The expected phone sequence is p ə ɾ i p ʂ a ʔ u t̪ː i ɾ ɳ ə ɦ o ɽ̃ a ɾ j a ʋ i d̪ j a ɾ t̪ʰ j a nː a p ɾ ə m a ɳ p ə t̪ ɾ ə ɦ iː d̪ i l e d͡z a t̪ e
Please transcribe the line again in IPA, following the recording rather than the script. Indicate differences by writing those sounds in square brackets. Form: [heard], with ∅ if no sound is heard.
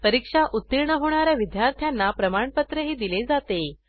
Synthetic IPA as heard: p ə ɾ i [k] ʂ a ʔ u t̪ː i ɾ ɳ ə ɦ o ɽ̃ a ɾ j a ʋ i d̪ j a ɾ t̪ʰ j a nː a p ɾ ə m a ɳ p ə t̪ ɾ ə ɦ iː d̪ i l e d͡z a t̪ e